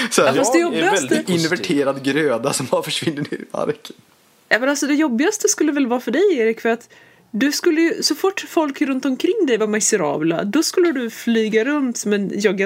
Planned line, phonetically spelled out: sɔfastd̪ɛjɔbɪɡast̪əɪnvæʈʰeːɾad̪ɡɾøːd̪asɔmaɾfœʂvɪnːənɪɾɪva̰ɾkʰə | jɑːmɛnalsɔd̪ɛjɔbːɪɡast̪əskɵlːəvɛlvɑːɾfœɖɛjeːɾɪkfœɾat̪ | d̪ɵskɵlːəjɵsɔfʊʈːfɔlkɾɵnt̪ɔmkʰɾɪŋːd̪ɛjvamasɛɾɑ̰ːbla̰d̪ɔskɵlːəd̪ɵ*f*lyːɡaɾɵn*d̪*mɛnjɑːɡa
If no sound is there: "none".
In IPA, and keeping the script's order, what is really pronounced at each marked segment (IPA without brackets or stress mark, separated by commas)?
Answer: f, t̪